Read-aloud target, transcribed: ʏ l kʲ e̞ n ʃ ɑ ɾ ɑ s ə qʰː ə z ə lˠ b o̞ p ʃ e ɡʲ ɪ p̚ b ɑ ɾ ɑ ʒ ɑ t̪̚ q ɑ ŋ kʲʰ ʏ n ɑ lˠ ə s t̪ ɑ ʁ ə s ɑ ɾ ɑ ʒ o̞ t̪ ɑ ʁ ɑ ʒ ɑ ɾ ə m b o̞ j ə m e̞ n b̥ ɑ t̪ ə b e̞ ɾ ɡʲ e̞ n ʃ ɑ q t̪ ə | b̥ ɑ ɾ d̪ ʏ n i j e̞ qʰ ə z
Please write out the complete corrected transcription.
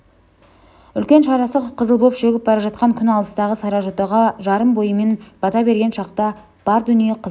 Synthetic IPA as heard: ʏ l kʲ e̞ n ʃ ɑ ɾ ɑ s ə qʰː ə z ə lˠ b o̞ p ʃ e ɡʲ ɪ p̚ b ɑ ɾ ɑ ʒ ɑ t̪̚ q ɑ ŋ kʲʰ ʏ n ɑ lˠ ə s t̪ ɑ ʁ ə s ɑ ɾ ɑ ʒ o̞ t̪ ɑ ʁ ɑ ʒ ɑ ɾ ə m b o̞ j ə m e̞ n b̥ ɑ t̪ ɑ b e̞ ɾ ɡʲ e̞ n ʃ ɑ q t̪ ɑ | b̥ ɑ ɾ d̪ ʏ n i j e̞ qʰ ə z